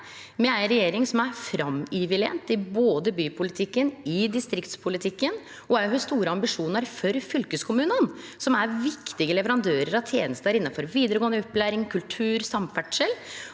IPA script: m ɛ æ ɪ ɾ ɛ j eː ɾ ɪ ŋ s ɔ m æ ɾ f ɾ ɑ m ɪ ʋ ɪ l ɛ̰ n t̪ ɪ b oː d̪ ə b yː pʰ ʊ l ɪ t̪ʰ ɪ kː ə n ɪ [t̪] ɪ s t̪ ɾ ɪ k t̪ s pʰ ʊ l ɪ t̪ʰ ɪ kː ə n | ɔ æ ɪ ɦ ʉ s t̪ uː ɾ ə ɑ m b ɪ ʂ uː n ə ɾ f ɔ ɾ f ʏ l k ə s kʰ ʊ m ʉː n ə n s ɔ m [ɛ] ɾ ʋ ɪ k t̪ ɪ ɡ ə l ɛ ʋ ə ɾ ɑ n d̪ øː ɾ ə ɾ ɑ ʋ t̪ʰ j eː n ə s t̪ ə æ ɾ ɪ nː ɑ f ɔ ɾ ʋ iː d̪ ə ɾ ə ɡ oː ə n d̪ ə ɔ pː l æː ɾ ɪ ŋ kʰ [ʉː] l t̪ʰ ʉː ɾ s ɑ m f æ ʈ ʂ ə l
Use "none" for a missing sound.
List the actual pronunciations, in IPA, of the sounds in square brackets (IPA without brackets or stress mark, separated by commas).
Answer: d̪, æ, ʉ